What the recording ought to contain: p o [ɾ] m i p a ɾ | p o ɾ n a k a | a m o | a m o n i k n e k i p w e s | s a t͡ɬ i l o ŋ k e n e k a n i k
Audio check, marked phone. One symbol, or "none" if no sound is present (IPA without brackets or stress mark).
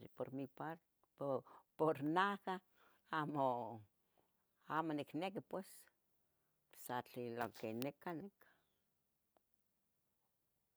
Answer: ɾ